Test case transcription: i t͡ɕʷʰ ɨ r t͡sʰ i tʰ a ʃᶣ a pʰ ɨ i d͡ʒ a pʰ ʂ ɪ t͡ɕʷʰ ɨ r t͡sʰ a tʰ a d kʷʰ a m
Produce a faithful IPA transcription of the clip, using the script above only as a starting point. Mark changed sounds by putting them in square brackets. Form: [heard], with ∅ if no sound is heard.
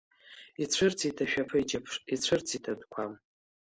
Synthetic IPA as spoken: i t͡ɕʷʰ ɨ r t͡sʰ i tʰ a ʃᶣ a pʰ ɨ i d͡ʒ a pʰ ʂ [i] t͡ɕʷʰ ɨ r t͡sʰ [i] tʰ a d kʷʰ a m